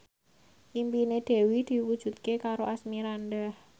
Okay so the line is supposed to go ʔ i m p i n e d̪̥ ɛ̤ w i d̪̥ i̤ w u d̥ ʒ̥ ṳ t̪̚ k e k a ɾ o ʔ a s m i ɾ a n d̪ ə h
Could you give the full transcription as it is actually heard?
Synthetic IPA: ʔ i m p i n e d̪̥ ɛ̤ w i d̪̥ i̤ w u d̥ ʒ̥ ṳ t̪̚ k e k a ɾ o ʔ a s m i ɾ a n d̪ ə h